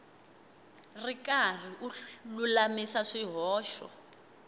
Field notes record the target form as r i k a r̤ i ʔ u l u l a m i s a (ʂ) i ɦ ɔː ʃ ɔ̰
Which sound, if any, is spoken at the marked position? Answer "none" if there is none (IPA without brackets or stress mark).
ʂ